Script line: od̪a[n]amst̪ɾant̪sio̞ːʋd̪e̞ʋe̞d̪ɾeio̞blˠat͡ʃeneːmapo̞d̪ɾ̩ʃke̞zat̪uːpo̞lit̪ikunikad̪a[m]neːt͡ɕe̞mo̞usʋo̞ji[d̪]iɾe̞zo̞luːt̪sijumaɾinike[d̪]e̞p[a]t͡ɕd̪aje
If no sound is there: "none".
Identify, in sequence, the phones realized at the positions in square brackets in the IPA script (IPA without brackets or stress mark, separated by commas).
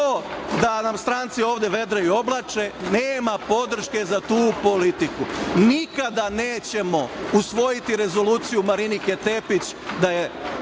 n, none, t̪, t̪, i